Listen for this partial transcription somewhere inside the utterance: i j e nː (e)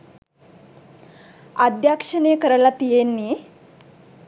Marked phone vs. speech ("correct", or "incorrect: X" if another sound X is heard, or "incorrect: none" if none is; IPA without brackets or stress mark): incorrect: i